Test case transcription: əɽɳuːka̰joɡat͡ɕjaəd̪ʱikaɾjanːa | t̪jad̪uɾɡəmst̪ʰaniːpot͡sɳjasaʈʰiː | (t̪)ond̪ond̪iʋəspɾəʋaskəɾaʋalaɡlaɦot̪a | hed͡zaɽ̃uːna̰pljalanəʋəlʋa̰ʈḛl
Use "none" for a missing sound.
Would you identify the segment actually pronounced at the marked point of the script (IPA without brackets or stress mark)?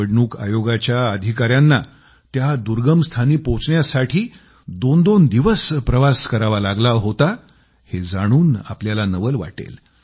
d̪